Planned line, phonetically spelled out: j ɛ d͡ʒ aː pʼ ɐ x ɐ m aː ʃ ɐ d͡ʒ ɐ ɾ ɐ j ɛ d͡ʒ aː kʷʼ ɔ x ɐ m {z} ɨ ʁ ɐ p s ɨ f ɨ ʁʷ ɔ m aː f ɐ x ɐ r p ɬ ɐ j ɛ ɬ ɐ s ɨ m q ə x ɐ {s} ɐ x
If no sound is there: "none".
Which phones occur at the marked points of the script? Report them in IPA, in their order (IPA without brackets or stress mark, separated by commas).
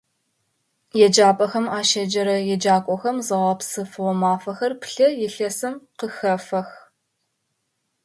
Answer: z, f